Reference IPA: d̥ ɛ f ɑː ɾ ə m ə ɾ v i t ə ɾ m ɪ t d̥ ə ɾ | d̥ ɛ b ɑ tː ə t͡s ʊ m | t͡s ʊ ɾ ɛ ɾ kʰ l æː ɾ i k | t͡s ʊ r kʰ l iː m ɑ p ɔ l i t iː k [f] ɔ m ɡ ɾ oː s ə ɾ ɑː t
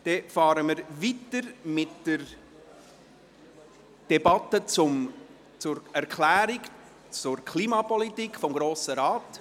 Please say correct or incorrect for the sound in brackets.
correct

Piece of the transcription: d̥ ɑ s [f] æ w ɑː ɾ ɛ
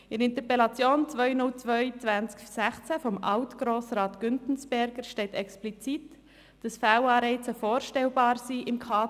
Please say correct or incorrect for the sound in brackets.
correct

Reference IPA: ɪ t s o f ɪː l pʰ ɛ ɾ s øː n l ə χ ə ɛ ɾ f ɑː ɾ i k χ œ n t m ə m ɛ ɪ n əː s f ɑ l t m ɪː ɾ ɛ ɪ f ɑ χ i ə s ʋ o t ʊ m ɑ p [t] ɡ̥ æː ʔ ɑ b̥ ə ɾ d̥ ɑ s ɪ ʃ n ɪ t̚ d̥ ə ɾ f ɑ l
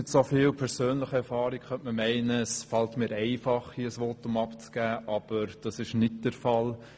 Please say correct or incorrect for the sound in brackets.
incorrect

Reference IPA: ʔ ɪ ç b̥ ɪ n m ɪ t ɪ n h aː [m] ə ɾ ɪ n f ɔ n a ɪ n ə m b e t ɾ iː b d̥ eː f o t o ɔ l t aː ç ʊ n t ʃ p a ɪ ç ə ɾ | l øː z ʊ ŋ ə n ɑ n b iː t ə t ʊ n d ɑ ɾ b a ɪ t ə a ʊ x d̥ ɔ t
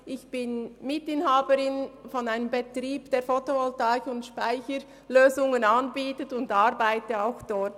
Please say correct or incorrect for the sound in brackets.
incorrect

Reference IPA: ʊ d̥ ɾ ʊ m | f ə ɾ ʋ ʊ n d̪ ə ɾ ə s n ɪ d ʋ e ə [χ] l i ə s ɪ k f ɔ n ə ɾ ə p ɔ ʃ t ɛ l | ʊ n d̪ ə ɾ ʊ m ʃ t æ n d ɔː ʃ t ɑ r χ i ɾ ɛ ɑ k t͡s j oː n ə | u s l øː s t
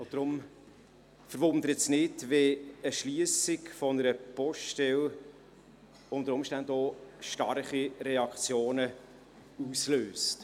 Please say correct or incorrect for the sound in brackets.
incorrect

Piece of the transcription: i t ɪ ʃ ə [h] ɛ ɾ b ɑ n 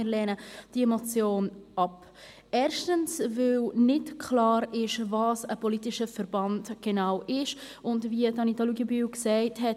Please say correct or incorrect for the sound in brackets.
incorrect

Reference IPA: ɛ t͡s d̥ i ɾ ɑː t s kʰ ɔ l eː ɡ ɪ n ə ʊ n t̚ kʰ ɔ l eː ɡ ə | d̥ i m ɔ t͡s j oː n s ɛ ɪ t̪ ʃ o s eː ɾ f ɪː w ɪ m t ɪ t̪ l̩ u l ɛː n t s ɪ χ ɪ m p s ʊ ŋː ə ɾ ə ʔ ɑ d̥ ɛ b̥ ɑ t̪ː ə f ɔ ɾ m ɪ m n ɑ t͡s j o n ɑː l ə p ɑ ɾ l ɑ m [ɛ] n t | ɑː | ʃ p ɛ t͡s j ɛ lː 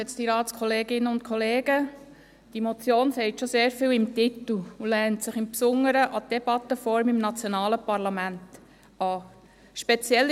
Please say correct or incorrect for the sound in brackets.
incorrect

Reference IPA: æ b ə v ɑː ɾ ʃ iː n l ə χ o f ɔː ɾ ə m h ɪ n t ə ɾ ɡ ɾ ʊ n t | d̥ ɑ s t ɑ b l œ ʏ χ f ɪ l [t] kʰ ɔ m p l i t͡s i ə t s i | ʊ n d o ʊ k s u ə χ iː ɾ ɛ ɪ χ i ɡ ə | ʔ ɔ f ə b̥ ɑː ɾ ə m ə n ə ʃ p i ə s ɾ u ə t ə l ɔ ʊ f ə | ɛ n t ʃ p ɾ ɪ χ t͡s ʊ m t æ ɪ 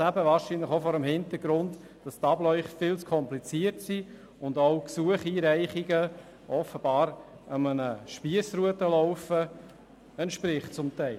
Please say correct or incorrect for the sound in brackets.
incorrect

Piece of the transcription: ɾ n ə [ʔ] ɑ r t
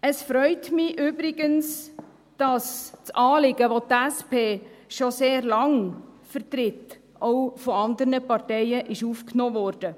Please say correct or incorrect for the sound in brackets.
incorrect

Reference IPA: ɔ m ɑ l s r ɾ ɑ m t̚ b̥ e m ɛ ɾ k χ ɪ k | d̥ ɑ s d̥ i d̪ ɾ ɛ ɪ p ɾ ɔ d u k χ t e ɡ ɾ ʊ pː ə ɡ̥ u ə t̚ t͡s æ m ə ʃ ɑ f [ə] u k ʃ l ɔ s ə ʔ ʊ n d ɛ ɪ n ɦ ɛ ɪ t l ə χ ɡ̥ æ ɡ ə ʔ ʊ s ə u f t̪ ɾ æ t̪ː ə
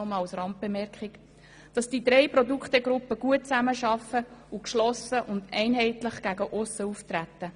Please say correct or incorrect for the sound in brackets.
correct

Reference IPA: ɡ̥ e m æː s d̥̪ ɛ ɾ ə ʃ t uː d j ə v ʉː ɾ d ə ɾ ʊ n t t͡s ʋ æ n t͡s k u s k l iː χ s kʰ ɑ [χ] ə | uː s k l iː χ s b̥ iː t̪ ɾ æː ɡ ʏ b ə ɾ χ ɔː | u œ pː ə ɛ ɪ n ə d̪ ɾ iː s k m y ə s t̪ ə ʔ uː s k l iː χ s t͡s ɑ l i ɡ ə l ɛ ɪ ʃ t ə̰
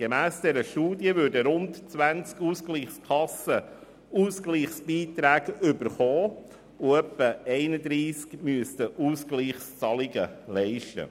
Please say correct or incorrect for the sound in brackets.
incorrect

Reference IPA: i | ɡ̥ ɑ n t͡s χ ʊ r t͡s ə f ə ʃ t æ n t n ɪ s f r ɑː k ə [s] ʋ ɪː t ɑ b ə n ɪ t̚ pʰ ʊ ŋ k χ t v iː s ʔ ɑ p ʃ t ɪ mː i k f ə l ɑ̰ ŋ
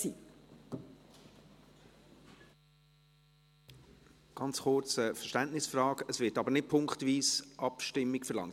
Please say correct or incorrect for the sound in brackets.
correct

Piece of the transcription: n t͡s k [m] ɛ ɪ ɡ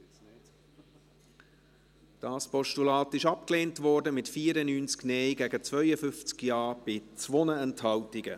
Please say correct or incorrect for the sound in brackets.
incorrect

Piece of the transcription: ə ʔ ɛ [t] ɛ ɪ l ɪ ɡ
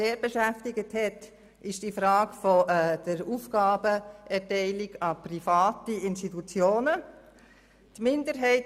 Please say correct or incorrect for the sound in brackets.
correct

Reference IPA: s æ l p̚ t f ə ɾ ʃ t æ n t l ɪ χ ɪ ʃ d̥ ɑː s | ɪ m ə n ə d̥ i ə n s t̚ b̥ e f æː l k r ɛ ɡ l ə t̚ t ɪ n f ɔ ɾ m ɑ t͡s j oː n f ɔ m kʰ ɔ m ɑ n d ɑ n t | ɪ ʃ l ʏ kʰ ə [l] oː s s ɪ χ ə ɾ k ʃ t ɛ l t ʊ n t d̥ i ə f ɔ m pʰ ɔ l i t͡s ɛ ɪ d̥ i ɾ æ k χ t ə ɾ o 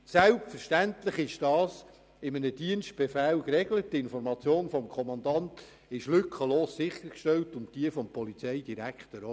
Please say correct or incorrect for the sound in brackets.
correct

